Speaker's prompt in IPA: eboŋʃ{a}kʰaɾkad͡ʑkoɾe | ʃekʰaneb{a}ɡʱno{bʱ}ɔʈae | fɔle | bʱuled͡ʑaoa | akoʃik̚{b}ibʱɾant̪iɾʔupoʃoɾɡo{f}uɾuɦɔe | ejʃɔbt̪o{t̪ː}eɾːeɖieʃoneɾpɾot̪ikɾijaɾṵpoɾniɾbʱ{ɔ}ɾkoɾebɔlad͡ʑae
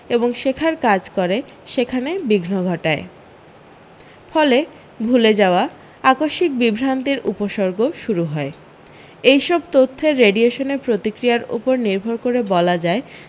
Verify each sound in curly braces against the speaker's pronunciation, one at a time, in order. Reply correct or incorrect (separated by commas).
incorrect, incorrect, incorrect, correct, incorrect, incorrect, incorrect